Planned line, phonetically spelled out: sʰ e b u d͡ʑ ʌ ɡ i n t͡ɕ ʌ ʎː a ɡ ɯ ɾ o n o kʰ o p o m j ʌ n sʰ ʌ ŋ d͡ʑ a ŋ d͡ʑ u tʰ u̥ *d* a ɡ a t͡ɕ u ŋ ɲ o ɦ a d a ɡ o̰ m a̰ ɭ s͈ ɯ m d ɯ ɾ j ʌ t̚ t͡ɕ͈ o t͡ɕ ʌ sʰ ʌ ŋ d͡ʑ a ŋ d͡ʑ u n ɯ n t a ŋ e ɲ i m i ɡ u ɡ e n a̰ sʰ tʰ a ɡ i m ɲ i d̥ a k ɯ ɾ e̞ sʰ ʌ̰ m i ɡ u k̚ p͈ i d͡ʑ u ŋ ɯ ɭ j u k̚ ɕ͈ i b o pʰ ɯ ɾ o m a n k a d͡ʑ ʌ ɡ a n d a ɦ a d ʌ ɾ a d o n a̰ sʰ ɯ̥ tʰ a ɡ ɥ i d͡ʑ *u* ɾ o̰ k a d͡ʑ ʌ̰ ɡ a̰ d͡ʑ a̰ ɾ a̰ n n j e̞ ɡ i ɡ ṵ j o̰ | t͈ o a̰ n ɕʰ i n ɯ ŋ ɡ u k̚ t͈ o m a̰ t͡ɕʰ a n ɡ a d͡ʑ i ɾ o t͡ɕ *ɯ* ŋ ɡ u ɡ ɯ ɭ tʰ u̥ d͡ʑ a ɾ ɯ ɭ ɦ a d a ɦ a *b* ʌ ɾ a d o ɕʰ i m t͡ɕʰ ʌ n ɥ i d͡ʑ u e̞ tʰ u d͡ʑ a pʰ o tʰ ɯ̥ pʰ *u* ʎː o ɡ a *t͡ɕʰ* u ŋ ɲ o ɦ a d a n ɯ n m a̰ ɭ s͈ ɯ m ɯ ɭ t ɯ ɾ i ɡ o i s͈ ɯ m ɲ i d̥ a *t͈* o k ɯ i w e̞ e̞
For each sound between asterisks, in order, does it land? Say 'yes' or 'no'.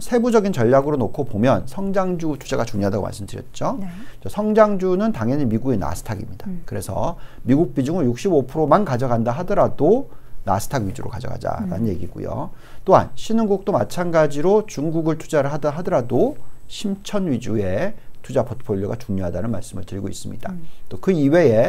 no, yes, no, no, no, no, yes

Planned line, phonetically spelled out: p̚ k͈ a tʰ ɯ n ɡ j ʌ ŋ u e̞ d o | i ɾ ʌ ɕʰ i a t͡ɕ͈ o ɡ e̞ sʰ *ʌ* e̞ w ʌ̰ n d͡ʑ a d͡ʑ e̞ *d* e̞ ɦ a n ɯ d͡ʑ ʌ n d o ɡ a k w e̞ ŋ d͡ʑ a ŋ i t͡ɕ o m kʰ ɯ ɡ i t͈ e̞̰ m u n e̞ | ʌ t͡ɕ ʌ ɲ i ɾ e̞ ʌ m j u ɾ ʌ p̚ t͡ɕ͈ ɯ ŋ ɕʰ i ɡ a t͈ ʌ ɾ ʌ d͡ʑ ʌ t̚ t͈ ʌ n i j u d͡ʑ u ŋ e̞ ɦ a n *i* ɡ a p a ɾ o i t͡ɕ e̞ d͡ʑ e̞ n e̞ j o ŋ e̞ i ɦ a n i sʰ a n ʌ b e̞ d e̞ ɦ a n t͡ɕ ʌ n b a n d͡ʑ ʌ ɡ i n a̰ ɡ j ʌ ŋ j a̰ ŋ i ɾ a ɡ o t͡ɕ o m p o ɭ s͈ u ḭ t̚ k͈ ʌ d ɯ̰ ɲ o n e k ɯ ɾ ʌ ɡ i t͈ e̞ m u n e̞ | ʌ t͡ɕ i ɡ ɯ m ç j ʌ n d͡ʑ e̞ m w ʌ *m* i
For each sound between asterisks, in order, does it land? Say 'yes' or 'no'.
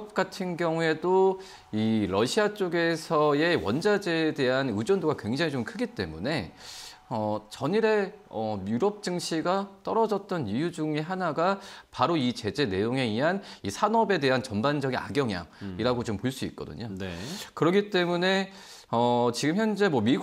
yes, yes, no, yes

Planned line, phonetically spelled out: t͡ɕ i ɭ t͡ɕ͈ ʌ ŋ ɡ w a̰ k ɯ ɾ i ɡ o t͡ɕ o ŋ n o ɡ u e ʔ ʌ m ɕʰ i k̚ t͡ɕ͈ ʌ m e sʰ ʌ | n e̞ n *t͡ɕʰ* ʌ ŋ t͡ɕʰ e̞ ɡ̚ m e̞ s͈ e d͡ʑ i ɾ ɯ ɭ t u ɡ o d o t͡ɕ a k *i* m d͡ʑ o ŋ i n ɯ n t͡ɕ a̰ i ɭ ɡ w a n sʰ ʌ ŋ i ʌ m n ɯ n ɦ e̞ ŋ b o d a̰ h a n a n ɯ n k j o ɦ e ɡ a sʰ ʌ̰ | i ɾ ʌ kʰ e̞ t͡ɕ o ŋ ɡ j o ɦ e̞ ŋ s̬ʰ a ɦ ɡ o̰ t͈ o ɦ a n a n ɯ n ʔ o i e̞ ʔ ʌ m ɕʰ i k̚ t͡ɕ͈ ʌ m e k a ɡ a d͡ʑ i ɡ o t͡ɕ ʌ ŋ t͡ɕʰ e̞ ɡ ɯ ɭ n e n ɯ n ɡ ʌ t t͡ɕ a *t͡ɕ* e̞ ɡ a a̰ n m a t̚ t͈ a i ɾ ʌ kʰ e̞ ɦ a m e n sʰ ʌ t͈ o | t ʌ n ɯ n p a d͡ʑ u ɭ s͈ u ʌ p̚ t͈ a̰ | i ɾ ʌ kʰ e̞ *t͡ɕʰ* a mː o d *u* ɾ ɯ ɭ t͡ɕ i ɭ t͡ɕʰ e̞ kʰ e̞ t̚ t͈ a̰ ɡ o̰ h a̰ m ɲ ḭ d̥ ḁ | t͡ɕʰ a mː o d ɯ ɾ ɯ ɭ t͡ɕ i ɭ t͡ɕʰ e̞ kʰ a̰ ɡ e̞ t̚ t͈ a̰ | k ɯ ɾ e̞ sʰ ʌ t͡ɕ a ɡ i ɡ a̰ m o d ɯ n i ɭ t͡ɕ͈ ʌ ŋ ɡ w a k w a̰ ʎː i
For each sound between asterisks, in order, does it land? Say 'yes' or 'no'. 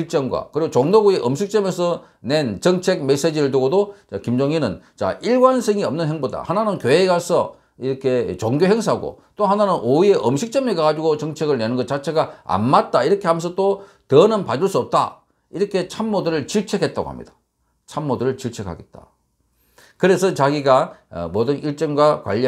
no, yes, no, yes, no

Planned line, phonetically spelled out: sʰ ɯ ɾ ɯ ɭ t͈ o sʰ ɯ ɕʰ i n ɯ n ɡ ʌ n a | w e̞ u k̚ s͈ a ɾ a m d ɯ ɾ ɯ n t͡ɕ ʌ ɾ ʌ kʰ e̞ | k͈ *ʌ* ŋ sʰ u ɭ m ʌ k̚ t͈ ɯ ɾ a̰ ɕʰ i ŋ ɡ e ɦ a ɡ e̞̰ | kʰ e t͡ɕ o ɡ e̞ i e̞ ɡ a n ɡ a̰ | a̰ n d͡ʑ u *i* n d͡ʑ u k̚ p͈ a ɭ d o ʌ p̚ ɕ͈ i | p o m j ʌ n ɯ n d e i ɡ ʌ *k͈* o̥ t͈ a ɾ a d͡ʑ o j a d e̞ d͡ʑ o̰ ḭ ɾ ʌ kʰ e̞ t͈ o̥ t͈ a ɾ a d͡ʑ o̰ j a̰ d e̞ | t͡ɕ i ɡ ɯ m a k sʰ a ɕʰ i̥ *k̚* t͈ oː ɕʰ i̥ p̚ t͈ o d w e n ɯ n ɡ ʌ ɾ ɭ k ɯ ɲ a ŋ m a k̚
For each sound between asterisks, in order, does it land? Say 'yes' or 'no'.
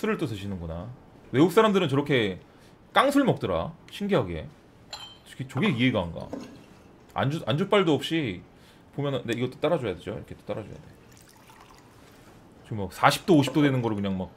no, no, no, no

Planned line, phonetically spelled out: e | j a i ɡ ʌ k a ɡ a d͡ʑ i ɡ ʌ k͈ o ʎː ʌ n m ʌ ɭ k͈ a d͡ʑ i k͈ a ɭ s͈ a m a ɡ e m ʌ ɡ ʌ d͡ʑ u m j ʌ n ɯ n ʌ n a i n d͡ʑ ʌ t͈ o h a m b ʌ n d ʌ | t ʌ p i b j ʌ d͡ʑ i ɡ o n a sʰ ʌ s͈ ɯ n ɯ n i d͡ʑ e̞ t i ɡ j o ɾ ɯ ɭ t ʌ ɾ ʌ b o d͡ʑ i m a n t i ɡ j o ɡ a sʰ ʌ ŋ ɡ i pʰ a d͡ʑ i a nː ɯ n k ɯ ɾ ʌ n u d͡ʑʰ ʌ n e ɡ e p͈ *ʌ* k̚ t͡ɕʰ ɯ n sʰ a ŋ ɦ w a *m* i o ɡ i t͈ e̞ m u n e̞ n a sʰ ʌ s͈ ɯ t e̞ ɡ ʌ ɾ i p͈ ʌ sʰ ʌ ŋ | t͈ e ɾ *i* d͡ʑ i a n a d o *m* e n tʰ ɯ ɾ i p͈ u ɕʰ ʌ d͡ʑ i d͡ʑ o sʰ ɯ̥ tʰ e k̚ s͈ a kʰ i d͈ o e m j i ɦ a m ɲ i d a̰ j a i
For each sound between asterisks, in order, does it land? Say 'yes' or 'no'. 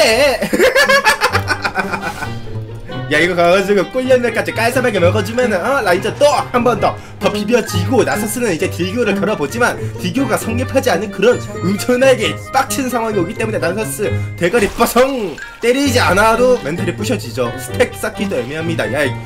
no, no, yes, yes

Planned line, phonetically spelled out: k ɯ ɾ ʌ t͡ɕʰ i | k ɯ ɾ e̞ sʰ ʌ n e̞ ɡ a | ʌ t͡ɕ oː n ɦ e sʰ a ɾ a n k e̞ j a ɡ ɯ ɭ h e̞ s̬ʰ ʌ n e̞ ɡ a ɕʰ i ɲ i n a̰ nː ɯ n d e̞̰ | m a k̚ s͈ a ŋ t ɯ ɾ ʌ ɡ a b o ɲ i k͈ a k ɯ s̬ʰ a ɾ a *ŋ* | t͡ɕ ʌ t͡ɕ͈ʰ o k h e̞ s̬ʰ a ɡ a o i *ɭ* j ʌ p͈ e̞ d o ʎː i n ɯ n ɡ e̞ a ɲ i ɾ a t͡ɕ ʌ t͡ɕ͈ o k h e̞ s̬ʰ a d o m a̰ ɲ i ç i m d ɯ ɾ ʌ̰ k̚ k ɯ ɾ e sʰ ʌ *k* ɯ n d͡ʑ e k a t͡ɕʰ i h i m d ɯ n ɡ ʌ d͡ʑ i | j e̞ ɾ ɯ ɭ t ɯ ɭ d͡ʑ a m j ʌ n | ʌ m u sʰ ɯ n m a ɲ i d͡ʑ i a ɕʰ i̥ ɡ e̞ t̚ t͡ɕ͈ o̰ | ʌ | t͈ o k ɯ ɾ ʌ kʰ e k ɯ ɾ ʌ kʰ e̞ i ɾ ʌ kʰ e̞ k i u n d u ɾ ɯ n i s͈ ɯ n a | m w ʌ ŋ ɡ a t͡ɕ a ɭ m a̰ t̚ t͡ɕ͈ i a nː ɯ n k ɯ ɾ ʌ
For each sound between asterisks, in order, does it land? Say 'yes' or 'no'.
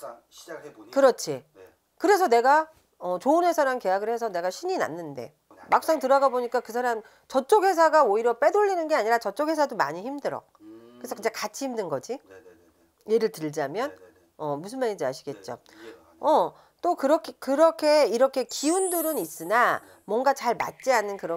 no, no, yes

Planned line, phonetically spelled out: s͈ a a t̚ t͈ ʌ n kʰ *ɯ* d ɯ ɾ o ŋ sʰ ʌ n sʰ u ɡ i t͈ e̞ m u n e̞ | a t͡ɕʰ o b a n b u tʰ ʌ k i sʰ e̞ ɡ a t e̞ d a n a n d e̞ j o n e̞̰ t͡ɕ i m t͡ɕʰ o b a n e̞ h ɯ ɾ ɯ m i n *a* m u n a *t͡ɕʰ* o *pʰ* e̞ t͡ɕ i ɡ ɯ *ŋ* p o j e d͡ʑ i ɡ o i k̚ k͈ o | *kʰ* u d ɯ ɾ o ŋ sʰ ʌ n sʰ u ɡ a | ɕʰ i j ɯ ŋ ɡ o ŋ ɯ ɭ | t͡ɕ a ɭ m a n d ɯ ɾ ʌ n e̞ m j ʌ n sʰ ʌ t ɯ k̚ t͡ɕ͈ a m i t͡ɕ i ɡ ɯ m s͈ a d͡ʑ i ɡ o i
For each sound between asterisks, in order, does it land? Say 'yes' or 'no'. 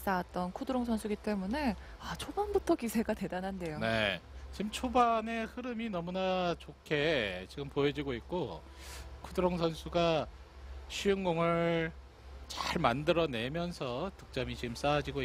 no, no, no, no, no, yes

